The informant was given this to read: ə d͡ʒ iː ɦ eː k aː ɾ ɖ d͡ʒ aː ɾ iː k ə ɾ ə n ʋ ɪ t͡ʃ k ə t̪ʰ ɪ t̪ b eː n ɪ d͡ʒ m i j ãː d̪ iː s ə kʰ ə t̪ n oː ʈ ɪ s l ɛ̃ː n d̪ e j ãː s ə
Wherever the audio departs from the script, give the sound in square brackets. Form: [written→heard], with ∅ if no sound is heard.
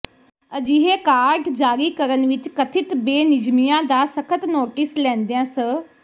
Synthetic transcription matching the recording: ə d͡ʒ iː ɦ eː k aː ɾ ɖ d͡ʒ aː ɾ iː k ə ɾ ə n ʋ ɪ t͡ʃ k ə t̪ʰ ɪ t̪ b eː n ɪ d͡ʒ m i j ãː d̪ [iː→aː] s ə kʰ ə t̪ n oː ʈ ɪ s l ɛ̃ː n d̪ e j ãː s ə